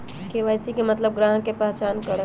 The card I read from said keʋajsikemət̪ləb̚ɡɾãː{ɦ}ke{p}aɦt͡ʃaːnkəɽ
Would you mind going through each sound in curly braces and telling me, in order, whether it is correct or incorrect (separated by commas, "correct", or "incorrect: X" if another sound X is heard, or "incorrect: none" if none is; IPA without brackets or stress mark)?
correct, correct